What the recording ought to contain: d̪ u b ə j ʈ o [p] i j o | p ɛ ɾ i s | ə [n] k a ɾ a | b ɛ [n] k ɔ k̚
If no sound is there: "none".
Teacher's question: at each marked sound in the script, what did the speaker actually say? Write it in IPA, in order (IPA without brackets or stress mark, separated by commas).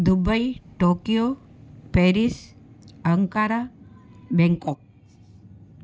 k, ŋ, ŋ